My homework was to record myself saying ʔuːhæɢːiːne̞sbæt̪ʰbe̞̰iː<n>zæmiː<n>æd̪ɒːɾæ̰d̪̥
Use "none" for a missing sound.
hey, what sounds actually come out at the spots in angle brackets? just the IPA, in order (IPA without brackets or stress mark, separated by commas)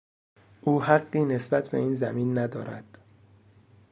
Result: n, nː